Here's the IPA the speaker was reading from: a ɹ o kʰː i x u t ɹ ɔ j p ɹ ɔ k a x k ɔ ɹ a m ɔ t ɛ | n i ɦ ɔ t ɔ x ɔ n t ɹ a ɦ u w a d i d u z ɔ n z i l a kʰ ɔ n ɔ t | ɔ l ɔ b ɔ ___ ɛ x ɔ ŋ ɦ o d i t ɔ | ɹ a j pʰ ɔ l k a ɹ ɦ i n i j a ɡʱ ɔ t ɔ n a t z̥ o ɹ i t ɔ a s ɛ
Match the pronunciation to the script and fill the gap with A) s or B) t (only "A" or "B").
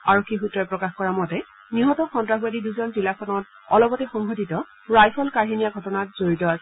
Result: B